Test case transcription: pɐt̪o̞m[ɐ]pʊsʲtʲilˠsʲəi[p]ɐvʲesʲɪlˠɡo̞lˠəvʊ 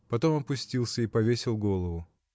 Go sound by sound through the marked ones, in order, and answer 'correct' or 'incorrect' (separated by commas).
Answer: correct, correct